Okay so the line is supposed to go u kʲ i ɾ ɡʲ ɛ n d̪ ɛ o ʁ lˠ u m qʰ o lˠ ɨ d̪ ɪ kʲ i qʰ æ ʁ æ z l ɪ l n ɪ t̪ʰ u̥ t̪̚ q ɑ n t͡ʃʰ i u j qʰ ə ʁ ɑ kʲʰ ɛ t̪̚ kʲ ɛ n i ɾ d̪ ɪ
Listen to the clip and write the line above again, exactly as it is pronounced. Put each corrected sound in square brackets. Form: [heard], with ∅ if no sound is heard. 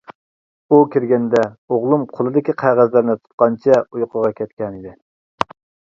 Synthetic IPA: u kʲ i ɾ ɡʲ ɛ n d̪ ɛ o ʁ lˠ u m qʰ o lˠ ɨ d̪ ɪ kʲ i qʰ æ ʁ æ z l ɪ [ɾ] n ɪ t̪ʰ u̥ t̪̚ q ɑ n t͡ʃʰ [ɛ] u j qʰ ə ʁ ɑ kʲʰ ɛ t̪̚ kʲ ɛ n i [∅] d̪ ɪ